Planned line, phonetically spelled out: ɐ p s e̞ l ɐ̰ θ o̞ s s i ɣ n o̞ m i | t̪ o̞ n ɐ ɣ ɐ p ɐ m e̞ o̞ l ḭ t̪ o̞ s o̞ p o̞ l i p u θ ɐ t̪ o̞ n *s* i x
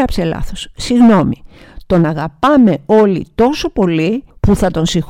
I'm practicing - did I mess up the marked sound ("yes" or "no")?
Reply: no